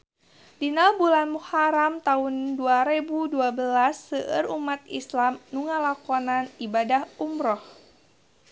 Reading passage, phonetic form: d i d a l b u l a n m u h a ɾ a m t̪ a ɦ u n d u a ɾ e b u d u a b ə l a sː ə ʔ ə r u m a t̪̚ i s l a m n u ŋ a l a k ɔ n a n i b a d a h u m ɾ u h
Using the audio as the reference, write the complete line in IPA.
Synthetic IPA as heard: d i n a l b u l a n m u h a ɾ a m t̪ a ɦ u n d u a ɾ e b u d u a b ə l a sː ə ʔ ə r u m a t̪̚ i s l a m n u ŋ a l a k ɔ n a n i b a d a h u m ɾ ɔ h